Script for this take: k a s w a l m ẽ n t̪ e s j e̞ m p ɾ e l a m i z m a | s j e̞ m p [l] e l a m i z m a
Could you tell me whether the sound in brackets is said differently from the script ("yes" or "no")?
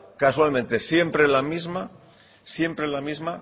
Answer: yes